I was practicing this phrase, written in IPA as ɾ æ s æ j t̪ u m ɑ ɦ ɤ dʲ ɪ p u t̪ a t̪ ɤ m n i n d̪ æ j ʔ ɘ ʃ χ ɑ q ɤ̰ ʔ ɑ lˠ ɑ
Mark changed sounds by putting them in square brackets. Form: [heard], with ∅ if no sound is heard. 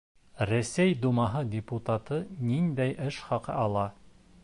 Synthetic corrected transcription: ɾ æ s æ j [d̪] u m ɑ ɦ ɤ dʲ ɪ p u t̪ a t̪ ɤ [∅] n i n d̪ æ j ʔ ɘ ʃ χ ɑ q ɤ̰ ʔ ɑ lˠ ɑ